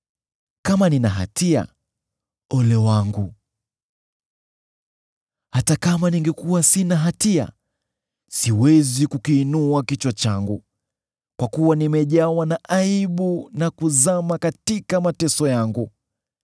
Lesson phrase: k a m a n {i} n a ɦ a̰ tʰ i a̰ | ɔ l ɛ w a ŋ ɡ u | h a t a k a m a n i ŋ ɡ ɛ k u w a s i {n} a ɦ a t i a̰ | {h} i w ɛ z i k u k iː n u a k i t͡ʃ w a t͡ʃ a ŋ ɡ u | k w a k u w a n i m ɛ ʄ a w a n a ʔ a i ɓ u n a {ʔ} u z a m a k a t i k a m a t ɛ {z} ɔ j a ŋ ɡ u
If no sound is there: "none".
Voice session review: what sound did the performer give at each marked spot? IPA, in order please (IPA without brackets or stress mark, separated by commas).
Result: i, n, s, k, s